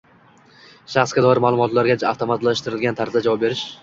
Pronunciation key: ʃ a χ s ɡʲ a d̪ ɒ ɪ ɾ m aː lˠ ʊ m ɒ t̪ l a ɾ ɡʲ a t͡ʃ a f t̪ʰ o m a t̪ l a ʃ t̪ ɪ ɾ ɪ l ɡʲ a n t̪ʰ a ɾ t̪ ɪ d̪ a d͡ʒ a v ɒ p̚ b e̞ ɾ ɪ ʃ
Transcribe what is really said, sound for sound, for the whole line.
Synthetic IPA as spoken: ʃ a χ s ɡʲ a d̪ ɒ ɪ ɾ m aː lˠ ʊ m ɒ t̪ l a ɾ ɡʲ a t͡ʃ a f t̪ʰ o m a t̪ l a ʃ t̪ ɪ ɾ ɪ l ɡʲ a n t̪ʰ a ɾ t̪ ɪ d̪ a d͡ʒ a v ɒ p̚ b e̞ ɾ ɪ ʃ